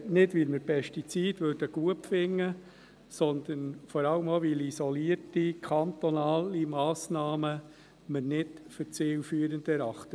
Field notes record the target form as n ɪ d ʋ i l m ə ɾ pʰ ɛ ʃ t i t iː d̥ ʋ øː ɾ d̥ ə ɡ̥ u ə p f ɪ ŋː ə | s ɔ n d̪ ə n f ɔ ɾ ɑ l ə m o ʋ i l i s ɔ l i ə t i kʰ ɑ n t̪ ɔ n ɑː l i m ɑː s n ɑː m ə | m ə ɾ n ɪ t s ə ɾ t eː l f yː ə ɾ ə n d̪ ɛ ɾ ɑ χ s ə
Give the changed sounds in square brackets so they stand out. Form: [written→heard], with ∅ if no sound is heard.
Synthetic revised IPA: n ɪ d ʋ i l m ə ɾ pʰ ɛ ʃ t i [t→t͡s] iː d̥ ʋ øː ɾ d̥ ə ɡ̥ u ə p f ɪ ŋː ə | s ɔ n d̪ ə n f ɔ ɾ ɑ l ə m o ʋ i l i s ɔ l i ə t i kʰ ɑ n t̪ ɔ n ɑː l i m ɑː s n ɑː m ə | m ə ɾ n ɪ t [s→f] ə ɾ [t→t͡s] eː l f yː ə ɾ ə n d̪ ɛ ɾ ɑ χ [s→t] ə

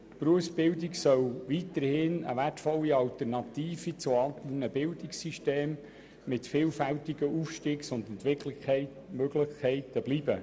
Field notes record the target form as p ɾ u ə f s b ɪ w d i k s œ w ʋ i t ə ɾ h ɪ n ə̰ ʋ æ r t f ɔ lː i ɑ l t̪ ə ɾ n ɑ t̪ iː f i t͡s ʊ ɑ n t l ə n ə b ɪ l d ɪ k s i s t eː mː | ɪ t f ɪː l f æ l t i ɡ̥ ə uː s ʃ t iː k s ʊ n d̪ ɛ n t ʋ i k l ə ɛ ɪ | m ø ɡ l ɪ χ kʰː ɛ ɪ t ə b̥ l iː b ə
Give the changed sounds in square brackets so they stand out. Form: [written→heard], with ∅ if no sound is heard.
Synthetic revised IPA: p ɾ u ə f s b ɪ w d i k s œ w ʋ i t ə ɾ h ɪ n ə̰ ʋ æ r t f ɔ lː i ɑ l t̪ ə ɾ n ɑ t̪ iː f i t͡s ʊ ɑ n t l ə n ə b ɪ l d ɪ k s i [s→ʃ] t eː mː | ɪ t f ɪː l f æ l t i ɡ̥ ə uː [s→f] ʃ t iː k s ʊ n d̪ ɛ n t ʋ [i→ɪ] k l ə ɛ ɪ | m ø ɡ l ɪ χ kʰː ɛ ɪ t ə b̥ l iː b ə

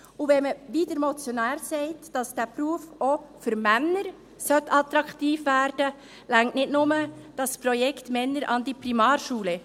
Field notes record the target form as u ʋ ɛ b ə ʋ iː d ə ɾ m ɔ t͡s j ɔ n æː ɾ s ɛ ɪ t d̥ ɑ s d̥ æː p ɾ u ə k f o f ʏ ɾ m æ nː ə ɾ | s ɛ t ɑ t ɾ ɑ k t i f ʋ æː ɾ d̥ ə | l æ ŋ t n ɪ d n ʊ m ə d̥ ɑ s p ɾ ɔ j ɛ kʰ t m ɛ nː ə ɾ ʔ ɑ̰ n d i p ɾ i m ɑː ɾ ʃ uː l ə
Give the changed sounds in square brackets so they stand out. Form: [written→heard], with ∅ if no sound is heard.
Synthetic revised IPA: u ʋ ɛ [b→m] ə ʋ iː d ə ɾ m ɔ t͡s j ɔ n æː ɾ s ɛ ɪ t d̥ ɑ s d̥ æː p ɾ u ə [k→∅] f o f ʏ ɾ m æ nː ə ɾ | s [ɛ→œ] t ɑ t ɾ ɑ k t [i→iː] f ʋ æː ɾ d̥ ə | l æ ŋ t n ɪ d n ʊ m ə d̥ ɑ s p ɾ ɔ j ɛ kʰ t m ɛ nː ə ɾ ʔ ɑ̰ n d i p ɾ i m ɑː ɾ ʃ uː l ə

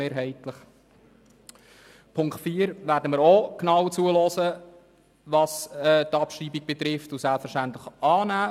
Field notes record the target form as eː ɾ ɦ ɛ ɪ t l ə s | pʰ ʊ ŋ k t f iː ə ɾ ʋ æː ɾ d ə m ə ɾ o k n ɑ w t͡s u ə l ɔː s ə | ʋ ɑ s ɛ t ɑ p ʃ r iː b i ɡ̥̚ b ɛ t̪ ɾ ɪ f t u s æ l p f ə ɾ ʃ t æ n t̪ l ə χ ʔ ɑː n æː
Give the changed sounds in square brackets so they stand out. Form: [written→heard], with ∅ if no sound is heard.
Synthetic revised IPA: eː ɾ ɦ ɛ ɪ t l ə [s→χ] | pʰ ʊ ŋ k t f iː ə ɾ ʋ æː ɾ d ə m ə ɾ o k n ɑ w t͡s u ə l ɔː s ə | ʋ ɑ s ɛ t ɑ p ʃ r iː b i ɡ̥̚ b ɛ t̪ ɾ ɪ f t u s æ l p f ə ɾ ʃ t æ n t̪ l ə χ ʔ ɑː n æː

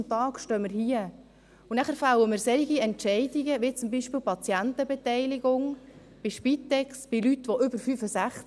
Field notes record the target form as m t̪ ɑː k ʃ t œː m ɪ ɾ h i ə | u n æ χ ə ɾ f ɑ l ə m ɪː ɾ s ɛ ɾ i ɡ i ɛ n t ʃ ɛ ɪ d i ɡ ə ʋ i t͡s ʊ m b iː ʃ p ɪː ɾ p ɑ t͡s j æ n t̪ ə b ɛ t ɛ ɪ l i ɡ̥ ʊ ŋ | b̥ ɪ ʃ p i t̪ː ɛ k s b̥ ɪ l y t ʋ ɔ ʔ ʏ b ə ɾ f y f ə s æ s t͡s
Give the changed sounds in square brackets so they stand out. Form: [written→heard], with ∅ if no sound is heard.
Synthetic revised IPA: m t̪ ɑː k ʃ t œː m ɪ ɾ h i ə | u n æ χ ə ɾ f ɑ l ə m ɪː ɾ s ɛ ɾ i ɡ i ɛ n t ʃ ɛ ɪ d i ɡ ə ʋ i t͡s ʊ m b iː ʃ p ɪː [ɾ→l] p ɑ t͡s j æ n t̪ ə b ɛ t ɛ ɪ l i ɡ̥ ʊ ŋ | b̥ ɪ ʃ p i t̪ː ɛ k s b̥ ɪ l y t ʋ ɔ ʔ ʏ b ə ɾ f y f ə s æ [s→χ] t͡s

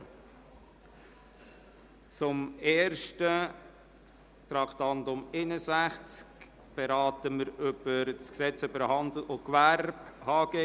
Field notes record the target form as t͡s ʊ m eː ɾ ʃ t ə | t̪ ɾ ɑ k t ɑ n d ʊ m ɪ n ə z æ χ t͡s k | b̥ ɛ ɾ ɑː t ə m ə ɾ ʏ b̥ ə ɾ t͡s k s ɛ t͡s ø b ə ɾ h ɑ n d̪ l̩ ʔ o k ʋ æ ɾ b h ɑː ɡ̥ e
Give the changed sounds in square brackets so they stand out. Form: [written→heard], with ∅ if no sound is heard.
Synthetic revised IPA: t͡s ʊ m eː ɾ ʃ t ə | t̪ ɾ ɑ k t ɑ n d ʊ m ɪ n ə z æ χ t͡s k | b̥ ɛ ɾ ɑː t ə m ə ɾ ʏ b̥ ə ɾ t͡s k s ɛ t͡s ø b ə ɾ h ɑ n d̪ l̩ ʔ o k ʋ æ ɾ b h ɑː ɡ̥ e

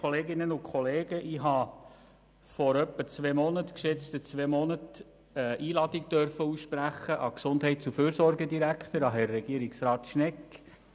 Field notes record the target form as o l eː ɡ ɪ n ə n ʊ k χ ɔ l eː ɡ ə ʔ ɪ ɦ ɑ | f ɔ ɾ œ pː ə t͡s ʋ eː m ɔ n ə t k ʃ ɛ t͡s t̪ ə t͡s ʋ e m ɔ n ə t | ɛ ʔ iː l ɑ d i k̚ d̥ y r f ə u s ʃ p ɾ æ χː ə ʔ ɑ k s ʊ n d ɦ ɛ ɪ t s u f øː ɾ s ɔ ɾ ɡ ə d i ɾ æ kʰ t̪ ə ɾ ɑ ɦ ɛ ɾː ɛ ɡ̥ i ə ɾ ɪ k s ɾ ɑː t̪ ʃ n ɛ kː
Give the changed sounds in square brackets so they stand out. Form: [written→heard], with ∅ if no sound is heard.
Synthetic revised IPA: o l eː ɡ ɪ n ə n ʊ k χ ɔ l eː ɡ ə ʔ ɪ ɦ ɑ | f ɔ ɾ œ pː ə t͡s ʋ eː m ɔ n ə t k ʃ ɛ t͡s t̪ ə t͡s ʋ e m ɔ n ə t | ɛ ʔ iː l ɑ d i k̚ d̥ [y→œ] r f ə u s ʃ p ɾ æ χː ə ʔ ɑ k s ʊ n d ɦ ɛ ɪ t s u f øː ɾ s ɔ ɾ ɡ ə d i ɾ æ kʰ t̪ ə ɾ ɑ ɦ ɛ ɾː ɛ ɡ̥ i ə ɾ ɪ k s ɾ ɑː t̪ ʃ n ɛ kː

